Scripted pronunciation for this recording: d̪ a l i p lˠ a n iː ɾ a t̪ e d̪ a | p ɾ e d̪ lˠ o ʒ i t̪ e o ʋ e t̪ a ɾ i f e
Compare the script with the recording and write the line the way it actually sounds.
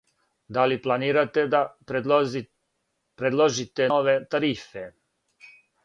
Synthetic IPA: d̪ a l i p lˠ a n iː ɾ a t̪ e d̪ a | p ɾ e d̪ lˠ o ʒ i t̪ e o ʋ e t̪ a ɾ i f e

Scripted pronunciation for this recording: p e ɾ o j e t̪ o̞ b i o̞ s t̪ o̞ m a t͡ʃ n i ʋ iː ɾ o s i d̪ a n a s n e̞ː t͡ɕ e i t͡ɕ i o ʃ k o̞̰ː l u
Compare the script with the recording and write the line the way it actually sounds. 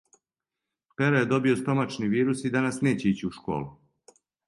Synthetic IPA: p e ɾ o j e d̪ o̞ b i o̞ s t̪ o̞ m a t͡ʃ n i ʋ iː ɾ u s i d̪ a n a s n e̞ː t͡ɕ e i t͡ɕ i u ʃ k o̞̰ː l u

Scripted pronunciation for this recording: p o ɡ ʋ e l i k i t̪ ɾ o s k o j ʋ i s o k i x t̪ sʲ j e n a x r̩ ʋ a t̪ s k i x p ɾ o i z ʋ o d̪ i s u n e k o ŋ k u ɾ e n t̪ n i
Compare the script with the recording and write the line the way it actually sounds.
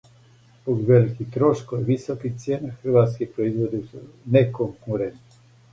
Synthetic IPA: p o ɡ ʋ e l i k i t̪ ɾ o ʃ k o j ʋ i s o k i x t̪ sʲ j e n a x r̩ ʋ a t̪ s k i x p ɾ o i z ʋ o d̪ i s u n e k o ŋ k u ɾ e n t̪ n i

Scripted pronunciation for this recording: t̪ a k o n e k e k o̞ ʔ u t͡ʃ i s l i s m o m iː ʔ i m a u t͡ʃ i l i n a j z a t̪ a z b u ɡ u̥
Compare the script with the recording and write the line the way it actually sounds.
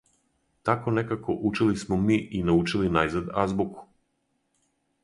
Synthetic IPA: t̪ a k o n e k a k o̞ ʔ u t͡ʃ i l i s m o m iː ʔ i n a u t͡ʃ i l i n a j z a d̪ a z b u k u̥

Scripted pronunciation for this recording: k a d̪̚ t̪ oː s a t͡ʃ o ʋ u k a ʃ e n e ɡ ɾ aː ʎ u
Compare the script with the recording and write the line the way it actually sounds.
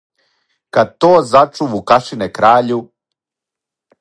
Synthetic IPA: k a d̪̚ t̪ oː z a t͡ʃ u ʋ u k a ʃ i n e k ɾ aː ʎ u

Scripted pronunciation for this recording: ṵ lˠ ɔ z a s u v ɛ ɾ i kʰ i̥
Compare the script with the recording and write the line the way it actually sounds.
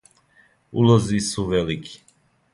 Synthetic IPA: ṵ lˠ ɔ z i s u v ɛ l i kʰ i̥

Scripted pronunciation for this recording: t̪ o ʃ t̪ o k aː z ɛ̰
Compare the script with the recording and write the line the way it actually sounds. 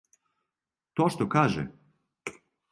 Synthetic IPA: t̪ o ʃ t̪ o k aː ʒ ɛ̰

